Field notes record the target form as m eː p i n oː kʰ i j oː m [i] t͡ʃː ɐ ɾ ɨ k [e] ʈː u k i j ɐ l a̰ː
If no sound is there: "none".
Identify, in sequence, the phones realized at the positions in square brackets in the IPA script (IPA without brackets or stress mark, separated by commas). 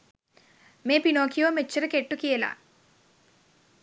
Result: e, e